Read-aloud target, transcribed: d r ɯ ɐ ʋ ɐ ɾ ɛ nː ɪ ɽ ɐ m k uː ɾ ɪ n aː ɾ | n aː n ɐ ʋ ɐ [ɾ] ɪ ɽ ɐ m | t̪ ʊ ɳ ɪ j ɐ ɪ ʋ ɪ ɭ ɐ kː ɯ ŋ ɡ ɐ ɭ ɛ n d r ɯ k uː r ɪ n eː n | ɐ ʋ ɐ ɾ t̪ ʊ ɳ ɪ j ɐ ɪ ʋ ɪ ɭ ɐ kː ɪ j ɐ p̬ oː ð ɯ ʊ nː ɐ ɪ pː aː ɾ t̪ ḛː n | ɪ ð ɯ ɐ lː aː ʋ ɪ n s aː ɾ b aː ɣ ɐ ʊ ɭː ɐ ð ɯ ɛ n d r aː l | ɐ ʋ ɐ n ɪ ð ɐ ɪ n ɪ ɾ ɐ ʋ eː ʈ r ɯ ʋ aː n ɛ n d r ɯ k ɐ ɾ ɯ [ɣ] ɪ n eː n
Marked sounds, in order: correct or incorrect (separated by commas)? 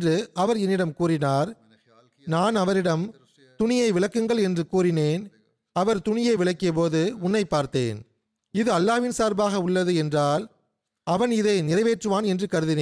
correct, incorrect